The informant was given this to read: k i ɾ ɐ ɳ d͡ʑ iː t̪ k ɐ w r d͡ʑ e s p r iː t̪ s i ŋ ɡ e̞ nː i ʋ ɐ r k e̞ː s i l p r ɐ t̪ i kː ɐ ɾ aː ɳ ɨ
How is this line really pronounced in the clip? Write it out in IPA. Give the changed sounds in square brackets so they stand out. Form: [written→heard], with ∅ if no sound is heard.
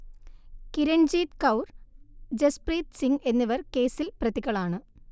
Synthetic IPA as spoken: k i ɾ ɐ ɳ d͡ʑ iː t̪ k ɐ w r d͡ʑ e s p r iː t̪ s i ŋ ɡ e̞ nː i ʋ ɐ r k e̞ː s i l p r ɐ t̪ i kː ɐ [ɾ→ɭ] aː ɳ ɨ